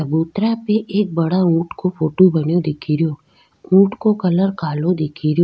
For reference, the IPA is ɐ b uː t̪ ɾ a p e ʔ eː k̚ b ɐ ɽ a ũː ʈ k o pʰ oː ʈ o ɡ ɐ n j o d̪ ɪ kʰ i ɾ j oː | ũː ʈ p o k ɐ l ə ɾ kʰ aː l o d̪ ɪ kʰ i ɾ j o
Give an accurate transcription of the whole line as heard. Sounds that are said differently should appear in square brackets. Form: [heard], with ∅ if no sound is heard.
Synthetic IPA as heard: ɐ b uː t̪ ɾ a p e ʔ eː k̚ b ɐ ɽ a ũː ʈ k o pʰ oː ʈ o [b] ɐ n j o d̪ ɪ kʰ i ɾ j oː | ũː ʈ [k] o k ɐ l ə ɾ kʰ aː l o d̪ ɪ kʰ i ɾ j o